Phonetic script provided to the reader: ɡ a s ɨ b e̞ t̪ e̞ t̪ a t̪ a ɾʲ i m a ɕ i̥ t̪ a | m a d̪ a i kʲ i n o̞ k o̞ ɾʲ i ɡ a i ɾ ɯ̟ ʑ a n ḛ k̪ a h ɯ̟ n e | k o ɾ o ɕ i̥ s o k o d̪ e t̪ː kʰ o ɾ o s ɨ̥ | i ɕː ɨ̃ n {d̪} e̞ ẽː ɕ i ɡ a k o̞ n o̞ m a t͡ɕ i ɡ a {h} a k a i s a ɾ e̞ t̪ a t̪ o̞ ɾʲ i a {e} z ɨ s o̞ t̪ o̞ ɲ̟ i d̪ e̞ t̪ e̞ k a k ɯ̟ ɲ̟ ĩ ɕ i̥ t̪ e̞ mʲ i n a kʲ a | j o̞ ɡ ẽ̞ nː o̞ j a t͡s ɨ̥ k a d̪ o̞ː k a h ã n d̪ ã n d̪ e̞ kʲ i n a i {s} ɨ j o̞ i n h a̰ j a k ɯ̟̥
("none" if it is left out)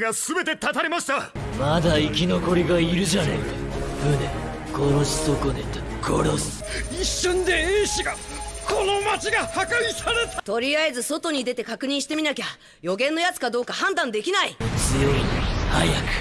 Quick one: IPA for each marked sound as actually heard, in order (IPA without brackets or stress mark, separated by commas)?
d̪, h, e, t͡s